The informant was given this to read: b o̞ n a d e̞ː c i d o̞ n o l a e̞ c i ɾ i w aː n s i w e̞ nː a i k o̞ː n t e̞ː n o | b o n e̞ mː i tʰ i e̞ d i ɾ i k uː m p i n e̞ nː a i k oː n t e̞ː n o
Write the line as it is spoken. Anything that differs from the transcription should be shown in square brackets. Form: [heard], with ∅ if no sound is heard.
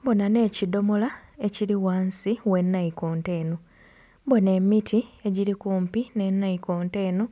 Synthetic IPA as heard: b o̞ n a [n] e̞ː c i d o̞ [m] o l a e̞ c i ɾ i w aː n s i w e̞ nː a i k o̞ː n t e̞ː n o | b o n e̞ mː i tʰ i e̞ [ɟ] i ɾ i k uː m p i n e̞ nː a i k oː n t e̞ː n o